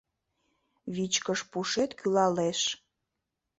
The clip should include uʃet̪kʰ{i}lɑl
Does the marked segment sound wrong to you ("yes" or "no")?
yes